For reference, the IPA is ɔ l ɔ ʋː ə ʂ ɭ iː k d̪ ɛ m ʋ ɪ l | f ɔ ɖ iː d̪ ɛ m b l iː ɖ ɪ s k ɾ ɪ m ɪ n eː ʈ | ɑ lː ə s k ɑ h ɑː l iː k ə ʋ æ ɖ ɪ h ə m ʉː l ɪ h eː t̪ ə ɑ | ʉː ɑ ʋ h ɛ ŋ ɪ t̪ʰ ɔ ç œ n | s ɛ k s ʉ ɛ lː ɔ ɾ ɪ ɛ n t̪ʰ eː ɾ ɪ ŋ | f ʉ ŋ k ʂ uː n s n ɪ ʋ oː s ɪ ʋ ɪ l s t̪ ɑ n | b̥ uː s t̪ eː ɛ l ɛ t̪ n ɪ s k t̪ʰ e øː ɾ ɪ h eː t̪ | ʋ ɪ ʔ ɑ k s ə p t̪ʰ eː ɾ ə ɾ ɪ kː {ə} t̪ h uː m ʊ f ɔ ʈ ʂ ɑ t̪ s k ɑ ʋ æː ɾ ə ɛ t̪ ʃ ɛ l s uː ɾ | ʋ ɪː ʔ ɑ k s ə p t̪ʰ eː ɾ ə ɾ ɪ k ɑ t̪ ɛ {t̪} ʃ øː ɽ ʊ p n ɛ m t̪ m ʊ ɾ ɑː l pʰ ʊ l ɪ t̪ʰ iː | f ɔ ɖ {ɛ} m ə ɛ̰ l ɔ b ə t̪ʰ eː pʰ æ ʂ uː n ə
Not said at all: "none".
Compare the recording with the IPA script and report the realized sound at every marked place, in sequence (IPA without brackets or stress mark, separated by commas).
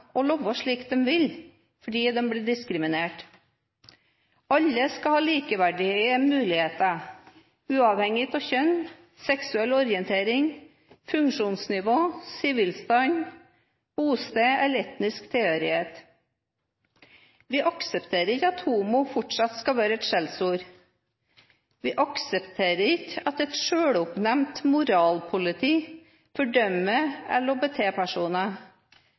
ɑ, t̪, œ